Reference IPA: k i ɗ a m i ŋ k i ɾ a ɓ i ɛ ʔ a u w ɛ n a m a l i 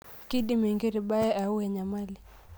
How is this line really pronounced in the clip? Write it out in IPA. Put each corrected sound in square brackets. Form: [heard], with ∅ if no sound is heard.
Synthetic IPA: k i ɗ [i] m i ŋ [ɡ] i ɾ [i] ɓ [a] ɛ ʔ a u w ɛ [ɲ] a m a l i